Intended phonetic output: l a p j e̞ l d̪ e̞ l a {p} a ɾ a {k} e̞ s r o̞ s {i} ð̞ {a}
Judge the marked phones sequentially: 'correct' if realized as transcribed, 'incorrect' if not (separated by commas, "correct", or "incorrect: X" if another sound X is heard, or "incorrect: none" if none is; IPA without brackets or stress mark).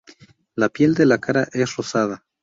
incorrect: k, incorrect: ʔ, incorrect: a, correct